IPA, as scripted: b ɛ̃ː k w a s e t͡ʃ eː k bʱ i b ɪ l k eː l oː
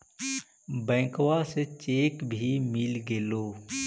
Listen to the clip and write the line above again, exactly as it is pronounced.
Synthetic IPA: b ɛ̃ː k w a s e t͡ʃ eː k bʱ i m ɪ l ɡ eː l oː